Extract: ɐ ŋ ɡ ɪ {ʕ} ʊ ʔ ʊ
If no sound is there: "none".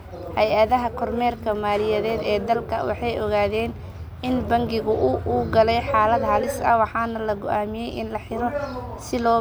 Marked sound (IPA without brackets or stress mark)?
ɣ